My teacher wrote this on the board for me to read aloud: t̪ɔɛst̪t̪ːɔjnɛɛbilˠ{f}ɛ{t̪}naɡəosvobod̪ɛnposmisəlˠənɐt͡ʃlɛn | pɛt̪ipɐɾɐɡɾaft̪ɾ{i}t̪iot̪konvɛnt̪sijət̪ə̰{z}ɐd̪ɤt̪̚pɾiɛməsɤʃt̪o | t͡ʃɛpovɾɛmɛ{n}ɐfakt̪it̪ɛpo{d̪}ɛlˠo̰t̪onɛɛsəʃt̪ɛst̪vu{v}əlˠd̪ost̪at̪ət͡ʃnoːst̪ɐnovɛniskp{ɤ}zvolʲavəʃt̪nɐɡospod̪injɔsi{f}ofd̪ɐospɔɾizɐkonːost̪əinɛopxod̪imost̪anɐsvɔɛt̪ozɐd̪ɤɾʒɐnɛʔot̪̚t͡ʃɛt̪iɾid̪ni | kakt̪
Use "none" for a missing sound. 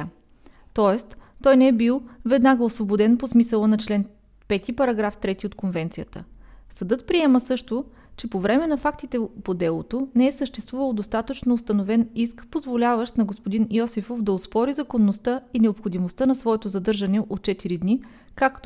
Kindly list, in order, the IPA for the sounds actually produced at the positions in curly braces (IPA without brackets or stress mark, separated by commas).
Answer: v, d̪, ɛ, s, n, d̪, v, o, f